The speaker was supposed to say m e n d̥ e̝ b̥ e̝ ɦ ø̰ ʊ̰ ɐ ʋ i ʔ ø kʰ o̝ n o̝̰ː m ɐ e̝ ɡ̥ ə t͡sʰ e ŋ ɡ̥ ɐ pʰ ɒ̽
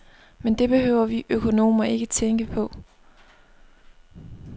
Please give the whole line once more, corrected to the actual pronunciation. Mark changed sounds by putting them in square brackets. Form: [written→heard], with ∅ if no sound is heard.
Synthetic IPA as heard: m e n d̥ e̝ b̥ e̝ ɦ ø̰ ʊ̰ ɐ ʋ i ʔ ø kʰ o̝ n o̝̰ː m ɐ e̝ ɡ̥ ə t͡sʰ e ŋ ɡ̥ [ɐ→ə] pʰ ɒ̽